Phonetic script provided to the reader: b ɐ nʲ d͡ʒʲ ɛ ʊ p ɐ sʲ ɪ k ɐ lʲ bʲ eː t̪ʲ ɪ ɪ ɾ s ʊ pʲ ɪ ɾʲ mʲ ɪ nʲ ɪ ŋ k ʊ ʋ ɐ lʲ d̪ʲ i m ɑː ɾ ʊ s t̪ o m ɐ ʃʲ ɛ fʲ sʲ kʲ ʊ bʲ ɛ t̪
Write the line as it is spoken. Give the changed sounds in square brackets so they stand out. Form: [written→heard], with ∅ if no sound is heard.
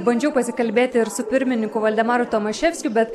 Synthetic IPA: b ɐ nʲ d͡ʒʲ ɛ ʊ p ɐ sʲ ɪ k ɐ lʲ bʲ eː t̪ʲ ɪ ɪ ɾ s ʊ pʲ ɪ ɾʲ mʲ ɪ nʲ ɪ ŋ k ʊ ʋ ɐ lʲ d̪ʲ [i→ɛ] m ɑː ɾ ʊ [s→∅] t̪ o m ɐ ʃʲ ɛ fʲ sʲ kʲ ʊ bʲ ɛ t̪